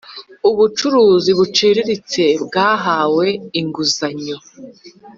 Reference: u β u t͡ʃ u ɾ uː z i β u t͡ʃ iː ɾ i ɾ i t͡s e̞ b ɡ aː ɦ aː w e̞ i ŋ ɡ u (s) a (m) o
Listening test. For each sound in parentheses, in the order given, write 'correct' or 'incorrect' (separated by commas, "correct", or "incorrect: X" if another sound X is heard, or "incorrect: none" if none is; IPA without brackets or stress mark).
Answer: incorrect: z, incorrect: ɲ